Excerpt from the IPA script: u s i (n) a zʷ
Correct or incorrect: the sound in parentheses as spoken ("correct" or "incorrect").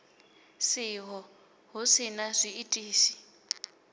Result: correct